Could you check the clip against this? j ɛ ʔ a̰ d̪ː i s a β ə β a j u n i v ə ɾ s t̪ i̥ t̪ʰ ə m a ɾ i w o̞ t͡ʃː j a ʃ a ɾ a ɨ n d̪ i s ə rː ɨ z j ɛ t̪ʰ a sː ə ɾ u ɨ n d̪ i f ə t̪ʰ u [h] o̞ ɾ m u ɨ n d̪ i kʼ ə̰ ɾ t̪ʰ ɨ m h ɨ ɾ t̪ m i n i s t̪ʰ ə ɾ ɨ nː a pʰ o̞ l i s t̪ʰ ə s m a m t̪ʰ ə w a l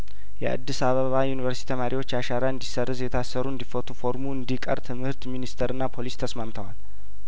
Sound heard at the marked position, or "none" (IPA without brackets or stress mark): f